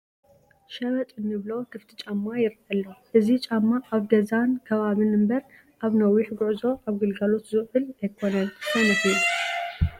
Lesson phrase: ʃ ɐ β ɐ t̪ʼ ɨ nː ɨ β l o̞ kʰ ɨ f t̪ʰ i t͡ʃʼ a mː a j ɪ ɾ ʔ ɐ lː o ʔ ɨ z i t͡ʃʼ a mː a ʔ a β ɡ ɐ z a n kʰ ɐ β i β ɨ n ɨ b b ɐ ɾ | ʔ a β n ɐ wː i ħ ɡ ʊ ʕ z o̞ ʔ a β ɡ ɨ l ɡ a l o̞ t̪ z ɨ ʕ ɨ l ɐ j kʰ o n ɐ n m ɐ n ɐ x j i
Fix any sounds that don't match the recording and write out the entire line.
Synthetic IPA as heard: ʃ ɐ β ɐ t̪ʼ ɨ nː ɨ β l o̞ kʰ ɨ f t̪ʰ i t͡ʃʼ a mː a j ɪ ɾ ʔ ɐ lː o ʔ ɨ z i t͡ʃʼ a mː a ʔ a β ɡ ɐ z a n kʰ ɐ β a β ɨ n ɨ m b ɐ ɾ | ʔ a β n ɐ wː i ħ ɡ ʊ ʕ z o̞ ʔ a β ɡ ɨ l ɡ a l o̞ t̪ z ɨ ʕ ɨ l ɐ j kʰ o n ɐ n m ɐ n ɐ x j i

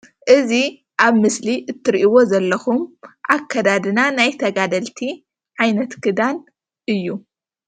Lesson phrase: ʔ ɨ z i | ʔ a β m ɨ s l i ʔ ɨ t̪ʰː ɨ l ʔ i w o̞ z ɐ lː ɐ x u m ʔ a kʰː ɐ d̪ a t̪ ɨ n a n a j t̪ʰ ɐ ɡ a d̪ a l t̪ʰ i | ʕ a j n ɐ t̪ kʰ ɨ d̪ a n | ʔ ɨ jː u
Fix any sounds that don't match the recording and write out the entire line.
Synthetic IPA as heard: ʔ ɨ z i | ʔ a β m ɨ s l i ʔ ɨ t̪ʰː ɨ ɾ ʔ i w o̞ z ɐ lː ɐ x u m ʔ a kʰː ɐ d̪ a d̪ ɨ n a n a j t̪ʰ ɐ ɡ a d̪ ɐ l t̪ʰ i | ʕ a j n ɐ t̪ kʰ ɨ d̪ a n | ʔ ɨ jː u

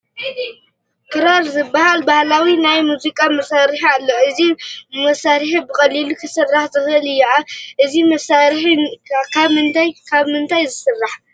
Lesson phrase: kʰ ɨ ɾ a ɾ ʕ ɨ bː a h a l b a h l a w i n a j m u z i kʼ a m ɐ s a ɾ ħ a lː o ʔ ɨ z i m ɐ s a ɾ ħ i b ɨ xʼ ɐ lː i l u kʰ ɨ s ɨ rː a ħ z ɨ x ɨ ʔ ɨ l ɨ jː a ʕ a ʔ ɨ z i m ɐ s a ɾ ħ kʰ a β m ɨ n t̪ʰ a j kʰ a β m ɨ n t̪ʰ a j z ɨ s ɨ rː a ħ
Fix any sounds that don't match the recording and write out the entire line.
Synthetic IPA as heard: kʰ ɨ ɾ a ɾ z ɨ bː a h a l b a h l a w i n a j m u z i kʼ a m ɐ s a ɾ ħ a lː o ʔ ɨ z i m ɐ s a ɾ ħ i b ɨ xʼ ɐ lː i l u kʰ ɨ s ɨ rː a ħ z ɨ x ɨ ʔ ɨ l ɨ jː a ʕ a ʔ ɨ z i m ɐ s a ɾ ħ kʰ a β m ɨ n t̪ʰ a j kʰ a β m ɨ n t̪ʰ a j z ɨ s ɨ rː a ħ

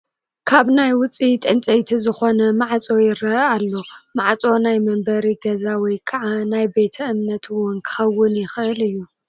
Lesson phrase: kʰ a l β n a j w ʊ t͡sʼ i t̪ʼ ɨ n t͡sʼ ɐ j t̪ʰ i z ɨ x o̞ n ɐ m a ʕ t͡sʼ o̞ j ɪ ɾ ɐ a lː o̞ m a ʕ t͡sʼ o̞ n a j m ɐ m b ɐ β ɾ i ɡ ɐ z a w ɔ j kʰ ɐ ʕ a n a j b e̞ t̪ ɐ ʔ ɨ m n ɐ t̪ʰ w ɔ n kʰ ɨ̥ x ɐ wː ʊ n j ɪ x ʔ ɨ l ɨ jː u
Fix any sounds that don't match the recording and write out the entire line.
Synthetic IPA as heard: kʰ a β n a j w ʊ t͡sʼ i t̪ʼ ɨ n t͡sʼ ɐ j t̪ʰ i z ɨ x o̞ n ɐ m a ʕ t͡sʼ o̞ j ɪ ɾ ɐ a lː o̞ m a ʕ t͡sʼ o̞ n a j m ɐ m b ɐ ɾ i ɡ ɐ z a w ɔ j kʰ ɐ ʕ a n a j b e̞ t̪ʰ ɐ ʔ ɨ m n ɐ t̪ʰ w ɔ n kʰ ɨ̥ x ɐ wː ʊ n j ɪ x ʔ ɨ l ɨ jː u

